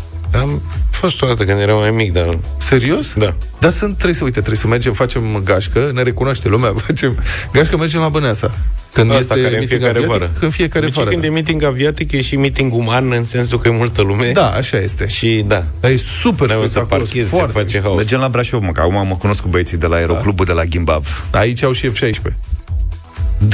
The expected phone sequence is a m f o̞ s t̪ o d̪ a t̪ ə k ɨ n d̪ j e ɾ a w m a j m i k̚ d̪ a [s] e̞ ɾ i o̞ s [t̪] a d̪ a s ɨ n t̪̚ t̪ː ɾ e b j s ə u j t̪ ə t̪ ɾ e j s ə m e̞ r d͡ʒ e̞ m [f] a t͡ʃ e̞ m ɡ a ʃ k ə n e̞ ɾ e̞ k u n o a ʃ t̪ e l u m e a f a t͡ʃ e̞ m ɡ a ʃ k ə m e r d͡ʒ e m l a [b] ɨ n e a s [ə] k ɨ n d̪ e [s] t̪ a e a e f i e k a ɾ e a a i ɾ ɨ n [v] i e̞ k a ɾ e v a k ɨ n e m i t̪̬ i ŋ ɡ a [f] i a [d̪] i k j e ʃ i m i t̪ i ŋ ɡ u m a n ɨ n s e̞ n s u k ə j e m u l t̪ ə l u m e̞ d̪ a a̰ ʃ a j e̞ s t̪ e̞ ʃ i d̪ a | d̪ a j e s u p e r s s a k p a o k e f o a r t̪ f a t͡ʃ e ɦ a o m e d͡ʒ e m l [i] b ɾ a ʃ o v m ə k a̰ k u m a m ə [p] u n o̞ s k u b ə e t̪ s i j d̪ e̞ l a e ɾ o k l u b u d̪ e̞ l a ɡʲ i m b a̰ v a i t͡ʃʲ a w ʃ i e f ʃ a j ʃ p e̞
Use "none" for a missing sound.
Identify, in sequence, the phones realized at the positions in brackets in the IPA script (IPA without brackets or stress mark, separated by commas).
s, d̪, f, b, a, s, f, v, t̪, a, k